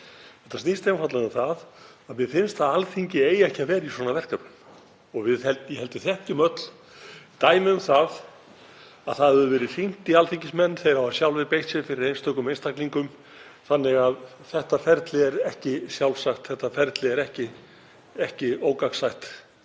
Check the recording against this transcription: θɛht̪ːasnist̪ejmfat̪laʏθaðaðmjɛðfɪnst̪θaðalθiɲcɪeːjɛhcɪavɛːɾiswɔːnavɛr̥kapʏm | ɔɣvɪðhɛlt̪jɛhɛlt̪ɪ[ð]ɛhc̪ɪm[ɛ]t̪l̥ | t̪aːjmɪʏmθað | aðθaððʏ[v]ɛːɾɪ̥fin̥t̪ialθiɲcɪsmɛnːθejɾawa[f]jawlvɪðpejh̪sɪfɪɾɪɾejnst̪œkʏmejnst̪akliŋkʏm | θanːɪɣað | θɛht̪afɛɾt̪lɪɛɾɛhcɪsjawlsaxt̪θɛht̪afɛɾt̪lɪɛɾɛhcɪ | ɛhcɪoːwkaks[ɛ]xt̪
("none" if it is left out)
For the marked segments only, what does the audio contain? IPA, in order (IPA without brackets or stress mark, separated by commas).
θ, œ, v, s, a